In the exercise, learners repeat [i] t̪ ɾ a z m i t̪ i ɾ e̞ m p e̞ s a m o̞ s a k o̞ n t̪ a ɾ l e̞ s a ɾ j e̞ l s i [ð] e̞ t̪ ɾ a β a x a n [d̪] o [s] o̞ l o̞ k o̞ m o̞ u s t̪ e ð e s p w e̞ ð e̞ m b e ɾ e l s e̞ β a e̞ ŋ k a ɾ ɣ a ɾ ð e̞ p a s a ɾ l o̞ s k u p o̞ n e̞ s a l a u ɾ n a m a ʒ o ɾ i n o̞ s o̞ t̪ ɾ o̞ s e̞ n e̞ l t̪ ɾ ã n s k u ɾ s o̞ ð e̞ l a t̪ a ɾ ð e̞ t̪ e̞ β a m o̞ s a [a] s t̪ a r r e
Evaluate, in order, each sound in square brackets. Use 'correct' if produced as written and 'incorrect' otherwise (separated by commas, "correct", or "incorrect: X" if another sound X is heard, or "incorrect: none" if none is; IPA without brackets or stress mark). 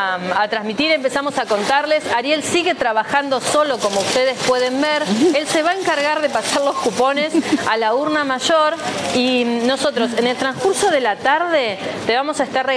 incorrect: a, incorrect: ɣ, correct, correct, incorrect: e